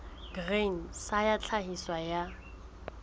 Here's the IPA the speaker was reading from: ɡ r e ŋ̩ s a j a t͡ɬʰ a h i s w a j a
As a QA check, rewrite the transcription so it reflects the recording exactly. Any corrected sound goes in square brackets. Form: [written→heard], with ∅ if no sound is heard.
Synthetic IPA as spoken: ɡ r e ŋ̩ s a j a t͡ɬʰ a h i s w a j a